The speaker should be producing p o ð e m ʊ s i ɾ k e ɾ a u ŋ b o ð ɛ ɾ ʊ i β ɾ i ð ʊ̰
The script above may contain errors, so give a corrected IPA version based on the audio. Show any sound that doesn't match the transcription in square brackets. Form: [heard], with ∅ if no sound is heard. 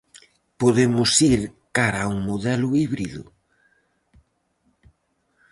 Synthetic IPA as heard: p o ð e m ʊ s i ɾ k [a] ɾ a u ŋ [m] o ð ɛ [l] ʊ i β ɾ i ð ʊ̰